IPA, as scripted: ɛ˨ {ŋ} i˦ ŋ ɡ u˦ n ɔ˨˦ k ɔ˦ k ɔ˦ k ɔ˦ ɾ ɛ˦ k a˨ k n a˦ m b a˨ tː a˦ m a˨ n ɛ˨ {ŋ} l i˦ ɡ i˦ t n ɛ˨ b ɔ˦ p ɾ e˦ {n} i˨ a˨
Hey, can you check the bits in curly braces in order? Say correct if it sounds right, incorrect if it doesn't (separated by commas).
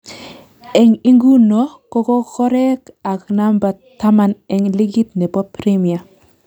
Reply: correct, correct, incorrect